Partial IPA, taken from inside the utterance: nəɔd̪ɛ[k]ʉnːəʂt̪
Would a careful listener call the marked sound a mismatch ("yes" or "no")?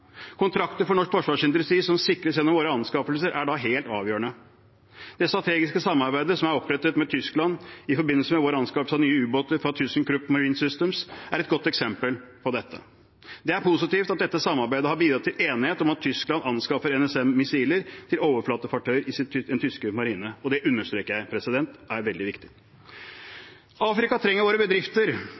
yes